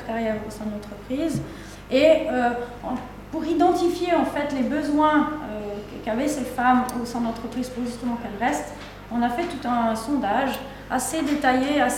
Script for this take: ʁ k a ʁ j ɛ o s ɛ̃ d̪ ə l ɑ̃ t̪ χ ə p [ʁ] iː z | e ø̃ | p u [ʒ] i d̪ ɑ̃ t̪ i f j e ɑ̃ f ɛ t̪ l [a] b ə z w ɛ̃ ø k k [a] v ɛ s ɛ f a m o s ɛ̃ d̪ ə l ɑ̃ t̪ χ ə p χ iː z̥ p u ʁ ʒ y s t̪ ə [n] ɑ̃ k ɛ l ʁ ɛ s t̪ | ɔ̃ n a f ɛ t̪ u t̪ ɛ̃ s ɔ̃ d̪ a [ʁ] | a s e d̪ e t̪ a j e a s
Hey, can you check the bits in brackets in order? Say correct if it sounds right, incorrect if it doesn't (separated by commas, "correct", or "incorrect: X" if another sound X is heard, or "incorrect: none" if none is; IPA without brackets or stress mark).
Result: incorrect: χ, incorrect: ʁ, incorrect: e, correct, incorrect: m, incorrect: ʒ